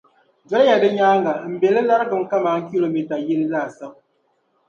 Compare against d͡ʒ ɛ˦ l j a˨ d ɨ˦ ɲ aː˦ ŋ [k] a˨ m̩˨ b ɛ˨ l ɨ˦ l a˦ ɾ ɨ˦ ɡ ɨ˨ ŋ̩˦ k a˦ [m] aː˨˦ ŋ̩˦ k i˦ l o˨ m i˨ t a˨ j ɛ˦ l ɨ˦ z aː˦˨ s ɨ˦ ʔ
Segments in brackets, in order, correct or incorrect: incorrect, correct

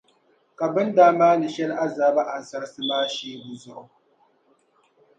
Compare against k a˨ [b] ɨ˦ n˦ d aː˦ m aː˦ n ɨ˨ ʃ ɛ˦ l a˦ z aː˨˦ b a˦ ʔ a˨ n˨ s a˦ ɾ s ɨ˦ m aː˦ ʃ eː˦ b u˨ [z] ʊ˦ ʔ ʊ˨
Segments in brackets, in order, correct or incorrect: correct, correct

